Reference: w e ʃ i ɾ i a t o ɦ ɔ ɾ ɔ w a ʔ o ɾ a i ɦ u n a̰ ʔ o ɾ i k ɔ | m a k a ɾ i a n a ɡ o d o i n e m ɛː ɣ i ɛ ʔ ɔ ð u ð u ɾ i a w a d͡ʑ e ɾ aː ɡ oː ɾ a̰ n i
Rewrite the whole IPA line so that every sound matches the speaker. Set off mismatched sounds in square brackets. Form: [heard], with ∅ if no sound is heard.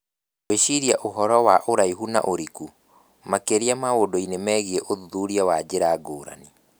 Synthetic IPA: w e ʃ i ɾ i a [ʔ] o ɦ ɔ ɾ ɔ w a ʔ o ɾ a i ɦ u n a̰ ʔ o ɾ i k [u] | m a k [e] ɾ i a [m] a [∅] o d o i n e m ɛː ɣ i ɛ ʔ [o] ð u ð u ɾ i a w a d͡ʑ e ɾ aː ɡ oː ɾ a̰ n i